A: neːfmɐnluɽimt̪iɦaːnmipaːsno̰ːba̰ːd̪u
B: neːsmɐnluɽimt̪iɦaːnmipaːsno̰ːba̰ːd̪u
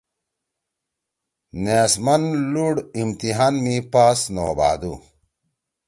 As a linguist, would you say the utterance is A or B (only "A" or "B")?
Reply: B